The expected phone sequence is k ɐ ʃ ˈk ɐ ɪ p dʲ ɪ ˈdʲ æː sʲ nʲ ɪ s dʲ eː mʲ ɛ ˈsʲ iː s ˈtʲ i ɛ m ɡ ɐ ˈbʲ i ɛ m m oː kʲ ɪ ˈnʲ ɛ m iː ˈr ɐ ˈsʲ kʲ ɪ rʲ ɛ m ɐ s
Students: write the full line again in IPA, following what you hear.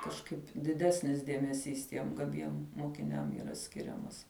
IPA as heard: k ɐ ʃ ˈk ɐ ɪ p dʲ ɪ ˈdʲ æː sʲ nʲ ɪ s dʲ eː mʲ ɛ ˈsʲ iː s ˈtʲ i ɛ m ɡ ɐ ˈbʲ i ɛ m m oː kʲ ɪ ˈnʲ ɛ m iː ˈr ɐ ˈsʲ kʲ ɪ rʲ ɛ m ɐ s